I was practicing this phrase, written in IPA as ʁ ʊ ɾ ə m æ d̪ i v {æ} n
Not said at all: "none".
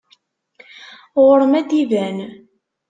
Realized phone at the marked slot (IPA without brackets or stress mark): æ